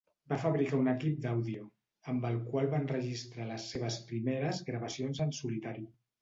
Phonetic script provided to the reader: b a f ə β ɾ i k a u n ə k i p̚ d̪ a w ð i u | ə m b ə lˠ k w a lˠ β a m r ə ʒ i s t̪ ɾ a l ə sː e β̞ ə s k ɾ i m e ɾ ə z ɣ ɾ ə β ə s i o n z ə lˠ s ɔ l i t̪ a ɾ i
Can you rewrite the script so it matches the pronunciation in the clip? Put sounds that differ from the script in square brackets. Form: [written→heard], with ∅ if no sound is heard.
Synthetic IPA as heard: b a f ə β ɾ i k a u n ə k i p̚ d̪ a w ð i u | ə m b ə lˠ k w a lˠ β a [m→n] r ə ʒ i s t̪ ɾ a l ə sː e β̞ ə s [k→p] ɾ i m e ɾ ə z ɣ ɾ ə β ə s i o n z ə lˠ s [ɔ→u] l i t̪ a ɾ i